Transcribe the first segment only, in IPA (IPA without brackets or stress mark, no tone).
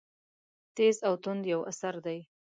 t̪